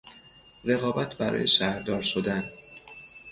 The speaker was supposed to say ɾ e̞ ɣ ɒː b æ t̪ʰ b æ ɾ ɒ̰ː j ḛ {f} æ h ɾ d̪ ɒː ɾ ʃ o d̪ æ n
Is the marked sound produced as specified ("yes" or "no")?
no